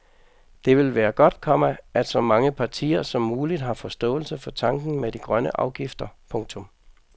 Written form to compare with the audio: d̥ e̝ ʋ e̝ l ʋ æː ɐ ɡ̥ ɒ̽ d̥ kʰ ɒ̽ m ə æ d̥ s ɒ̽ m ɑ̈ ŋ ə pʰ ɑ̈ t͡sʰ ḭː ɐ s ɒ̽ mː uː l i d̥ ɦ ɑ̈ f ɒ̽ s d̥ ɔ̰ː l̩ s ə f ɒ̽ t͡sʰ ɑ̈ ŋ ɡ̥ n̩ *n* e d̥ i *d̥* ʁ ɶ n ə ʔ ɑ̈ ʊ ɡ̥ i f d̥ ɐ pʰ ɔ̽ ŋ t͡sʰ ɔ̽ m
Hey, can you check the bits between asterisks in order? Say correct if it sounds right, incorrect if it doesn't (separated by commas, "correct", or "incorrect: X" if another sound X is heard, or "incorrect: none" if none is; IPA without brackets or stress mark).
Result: incorrect: m, incorrect: ɡ̥